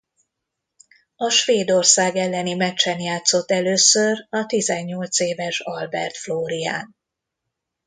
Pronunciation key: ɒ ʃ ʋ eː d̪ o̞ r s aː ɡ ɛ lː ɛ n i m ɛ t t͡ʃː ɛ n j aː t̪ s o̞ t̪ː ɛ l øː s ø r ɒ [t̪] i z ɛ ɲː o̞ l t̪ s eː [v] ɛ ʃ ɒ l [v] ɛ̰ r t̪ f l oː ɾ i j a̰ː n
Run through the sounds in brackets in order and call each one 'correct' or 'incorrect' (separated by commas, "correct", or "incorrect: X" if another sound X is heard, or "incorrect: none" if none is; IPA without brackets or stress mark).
correct, correct, incorrect: b